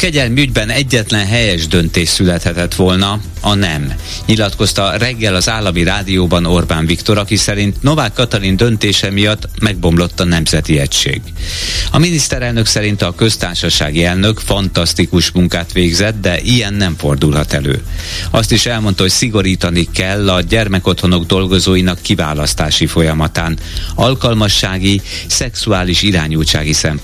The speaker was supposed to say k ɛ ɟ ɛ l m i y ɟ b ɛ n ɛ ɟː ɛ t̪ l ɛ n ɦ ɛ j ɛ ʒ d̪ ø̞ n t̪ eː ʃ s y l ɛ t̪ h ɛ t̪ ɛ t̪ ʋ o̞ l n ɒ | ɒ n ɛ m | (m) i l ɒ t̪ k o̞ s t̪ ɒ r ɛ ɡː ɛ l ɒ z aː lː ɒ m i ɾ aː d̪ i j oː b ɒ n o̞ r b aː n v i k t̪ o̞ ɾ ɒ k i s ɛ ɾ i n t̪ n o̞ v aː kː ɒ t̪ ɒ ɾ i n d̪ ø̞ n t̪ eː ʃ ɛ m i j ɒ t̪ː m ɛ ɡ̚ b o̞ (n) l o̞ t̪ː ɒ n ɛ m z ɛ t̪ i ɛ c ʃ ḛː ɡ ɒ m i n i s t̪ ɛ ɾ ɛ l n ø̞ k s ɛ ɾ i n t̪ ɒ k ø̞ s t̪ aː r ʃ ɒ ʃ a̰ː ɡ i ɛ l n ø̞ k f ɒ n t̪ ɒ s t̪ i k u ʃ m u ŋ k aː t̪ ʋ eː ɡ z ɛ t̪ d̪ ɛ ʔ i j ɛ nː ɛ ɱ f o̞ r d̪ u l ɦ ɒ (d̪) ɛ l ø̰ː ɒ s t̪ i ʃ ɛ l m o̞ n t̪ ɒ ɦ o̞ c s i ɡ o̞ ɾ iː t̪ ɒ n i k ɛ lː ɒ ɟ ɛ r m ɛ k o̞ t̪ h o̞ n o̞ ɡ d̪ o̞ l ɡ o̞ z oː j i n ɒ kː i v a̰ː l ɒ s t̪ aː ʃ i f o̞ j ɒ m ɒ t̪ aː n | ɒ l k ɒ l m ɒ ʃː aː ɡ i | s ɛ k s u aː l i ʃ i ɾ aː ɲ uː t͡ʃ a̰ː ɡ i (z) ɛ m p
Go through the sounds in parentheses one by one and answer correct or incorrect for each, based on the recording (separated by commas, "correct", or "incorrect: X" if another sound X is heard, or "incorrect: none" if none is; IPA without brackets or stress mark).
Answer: incorrect: ɲ, incorrect: m, incorrect: t̪, incorrect: s